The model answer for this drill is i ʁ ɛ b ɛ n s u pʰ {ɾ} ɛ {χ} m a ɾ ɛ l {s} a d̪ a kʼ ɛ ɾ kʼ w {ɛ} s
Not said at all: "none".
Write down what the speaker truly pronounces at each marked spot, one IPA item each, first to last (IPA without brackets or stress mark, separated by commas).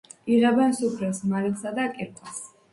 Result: ɾ, s, s, a